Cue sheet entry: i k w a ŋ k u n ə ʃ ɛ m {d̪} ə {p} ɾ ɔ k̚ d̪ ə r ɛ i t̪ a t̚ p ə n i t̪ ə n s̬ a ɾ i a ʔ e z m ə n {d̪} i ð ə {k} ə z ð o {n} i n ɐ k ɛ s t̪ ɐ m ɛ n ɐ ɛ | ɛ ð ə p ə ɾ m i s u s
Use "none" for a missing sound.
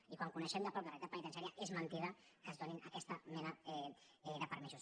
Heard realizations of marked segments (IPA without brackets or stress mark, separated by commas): d̪, p, t̪, k, n